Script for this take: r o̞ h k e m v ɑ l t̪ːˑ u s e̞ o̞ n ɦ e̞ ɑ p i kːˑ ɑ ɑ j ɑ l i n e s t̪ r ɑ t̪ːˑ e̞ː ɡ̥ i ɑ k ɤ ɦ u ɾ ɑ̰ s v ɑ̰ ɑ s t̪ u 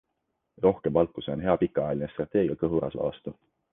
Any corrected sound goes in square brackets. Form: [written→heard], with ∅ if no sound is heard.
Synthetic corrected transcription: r o̞ h k e m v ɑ l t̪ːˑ u s e̞ o̞ n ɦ e̞ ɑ p i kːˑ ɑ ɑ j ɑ l i n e s t̪ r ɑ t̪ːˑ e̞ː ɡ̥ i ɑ k ɤ ɦ u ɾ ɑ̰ s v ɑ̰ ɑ s t̪ u